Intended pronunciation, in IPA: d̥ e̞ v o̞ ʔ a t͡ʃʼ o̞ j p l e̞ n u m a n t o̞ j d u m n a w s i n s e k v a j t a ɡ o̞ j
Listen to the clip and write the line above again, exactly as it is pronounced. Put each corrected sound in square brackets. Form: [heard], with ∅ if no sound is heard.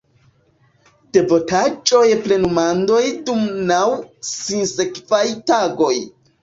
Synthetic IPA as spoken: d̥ e̞ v o̞ [t] a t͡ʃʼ o̞ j p l e̞ n u m a n [d] o̞ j d u m n a w s i n s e k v a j t a ɡ o̞ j